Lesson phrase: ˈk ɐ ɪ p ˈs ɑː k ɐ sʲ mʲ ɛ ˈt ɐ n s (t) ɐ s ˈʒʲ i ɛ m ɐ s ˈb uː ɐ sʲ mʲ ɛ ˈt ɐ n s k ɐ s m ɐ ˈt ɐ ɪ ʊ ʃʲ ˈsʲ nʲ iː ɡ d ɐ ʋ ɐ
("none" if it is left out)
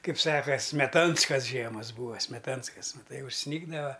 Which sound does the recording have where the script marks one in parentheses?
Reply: k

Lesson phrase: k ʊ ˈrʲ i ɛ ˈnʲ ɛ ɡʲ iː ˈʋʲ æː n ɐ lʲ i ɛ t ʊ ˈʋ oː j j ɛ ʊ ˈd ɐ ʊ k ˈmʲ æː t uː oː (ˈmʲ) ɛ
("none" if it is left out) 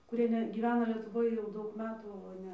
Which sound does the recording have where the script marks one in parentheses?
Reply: nʲ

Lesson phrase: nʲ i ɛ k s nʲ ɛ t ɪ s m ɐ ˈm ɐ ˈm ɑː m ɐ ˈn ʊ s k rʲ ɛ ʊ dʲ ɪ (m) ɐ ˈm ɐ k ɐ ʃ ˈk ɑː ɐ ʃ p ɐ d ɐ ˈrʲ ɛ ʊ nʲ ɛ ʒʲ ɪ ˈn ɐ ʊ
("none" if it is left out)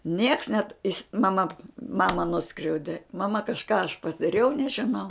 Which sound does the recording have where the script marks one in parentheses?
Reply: m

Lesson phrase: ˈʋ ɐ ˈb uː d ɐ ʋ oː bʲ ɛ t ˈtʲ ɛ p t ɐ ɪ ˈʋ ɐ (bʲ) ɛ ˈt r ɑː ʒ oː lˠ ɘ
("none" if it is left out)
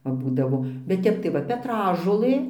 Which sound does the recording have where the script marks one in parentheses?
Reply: pʲ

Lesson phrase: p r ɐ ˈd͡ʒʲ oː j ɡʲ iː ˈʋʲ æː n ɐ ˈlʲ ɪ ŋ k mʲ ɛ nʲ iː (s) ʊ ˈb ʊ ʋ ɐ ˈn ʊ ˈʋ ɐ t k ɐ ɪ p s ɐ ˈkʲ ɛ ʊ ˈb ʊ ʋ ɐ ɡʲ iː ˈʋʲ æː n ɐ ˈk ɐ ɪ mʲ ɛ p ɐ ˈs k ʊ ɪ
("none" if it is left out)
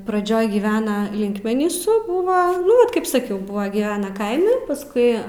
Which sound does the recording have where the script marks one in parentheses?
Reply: s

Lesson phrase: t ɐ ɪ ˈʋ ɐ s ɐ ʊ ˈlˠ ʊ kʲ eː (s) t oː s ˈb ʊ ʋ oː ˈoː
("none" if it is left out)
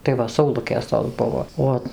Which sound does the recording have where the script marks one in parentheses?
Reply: s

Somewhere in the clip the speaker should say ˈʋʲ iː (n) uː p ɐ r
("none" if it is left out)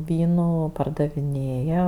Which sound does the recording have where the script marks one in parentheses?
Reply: n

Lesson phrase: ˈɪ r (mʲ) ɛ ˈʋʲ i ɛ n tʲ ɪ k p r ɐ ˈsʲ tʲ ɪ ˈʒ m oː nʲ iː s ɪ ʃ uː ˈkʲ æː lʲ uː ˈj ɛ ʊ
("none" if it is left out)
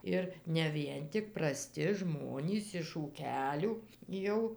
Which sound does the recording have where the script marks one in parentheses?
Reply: nʲ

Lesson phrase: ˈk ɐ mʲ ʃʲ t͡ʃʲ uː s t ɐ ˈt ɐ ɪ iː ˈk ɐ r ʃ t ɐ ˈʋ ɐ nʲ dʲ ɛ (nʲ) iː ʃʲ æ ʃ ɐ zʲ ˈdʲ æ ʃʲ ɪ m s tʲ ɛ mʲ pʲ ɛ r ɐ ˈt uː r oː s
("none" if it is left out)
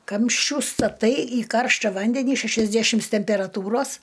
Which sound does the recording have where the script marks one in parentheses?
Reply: nʲ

